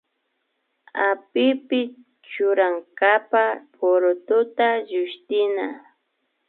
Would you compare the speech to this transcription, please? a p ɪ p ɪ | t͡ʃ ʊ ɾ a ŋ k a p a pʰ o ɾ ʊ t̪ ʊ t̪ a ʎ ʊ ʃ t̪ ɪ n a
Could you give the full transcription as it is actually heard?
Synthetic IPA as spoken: a p ɪ p ɪ | t͡ʃ ʊ ɾ a ŋ k a p a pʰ o ɾ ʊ t̪ ʊ t̪ a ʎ ʊ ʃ t̪ ɪ n a